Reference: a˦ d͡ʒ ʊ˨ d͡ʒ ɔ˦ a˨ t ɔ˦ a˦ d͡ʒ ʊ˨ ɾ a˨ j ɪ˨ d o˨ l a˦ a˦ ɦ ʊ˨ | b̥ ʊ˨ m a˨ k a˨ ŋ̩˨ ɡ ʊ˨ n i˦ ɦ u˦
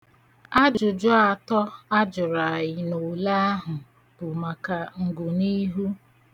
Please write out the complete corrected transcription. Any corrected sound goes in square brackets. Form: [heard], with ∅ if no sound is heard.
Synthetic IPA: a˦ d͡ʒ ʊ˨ d͡ʒ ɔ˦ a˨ t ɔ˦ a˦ d͡ʒ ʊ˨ ɾ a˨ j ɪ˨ [n] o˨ l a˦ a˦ ɦ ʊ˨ | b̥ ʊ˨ m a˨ k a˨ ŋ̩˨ ɡ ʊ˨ n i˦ ɦ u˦